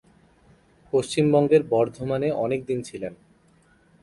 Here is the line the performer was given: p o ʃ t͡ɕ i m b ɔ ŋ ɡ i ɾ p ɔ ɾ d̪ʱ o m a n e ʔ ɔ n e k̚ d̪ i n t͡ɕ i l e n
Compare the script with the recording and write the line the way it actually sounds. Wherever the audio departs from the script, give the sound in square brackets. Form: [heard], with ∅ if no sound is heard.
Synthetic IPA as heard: p o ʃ t͡ɕ i m b ɔ ŋ ɡ [e] ɾ [b] ɔ ɾ d̪ʱ o m a n e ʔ ɔ n e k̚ d̪ i n [t͡ɕʰ] i l e n